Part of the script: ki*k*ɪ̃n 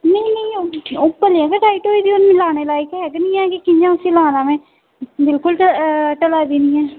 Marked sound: correct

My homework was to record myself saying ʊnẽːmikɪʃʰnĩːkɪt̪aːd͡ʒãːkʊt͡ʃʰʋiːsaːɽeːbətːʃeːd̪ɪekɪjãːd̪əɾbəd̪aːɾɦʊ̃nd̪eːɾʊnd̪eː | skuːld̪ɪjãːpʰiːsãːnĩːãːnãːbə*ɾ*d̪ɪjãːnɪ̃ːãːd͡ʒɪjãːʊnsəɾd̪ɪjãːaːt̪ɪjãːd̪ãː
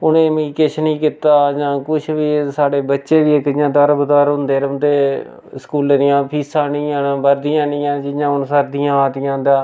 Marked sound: correct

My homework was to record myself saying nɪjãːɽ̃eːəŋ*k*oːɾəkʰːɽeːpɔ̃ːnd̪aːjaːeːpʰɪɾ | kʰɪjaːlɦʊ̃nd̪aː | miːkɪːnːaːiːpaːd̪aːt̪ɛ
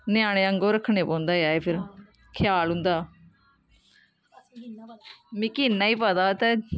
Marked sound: incorrect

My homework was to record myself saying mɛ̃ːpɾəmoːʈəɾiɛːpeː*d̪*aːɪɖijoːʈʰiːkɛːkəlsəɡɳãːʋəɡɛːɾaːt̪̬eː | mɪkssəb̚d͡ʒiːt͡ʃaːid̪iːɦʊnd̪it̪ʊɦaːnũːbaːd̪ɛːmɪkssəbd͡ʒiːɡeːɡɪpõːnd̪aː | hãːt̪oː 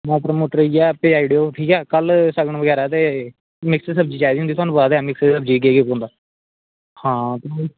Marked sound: incorrect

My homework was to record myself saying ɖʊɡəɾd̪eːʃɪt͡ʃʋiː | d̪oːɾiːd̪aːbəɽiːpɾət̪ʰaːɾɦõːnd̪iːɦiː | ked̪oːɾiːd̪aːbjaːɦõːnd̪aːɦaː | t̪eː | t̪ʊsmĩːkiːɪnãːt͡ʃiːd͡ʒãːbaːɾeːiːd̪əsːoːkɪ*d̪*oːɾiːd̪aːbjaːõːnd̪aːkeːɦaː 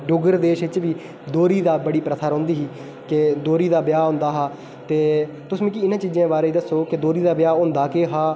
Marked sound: correct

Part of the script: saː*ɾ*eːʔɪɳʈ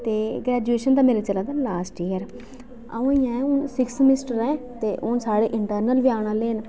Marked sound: incorrect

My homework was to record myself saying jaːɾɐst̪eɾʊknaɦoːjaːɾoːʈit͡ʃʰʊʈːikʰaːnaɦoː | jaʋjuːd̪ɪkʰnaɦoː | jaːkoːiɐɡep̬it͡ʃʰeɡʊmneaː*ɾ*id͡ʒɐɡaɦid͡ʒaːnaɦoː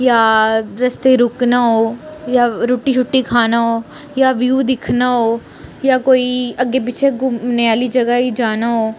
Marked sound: incorrect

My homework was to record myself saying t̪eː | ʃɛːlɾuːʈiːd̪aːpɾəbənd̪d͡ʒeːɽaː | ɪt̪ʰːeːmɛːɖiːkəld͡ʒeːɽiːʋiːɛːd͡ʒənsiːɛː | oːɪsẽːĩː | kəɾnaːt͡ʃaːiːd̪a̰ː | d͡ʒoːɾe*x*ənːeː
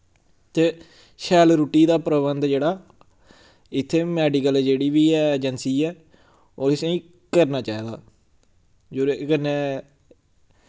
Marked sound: incorrect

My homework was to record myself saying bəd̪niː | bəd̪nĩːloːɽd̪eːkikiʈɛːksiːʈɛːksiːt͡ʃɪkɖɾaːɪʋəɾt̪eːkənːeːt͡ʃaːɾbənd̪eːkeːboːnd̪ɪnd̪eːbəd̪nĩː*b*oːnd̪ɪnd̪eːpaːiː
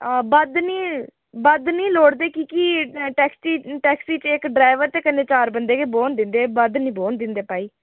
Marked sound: correct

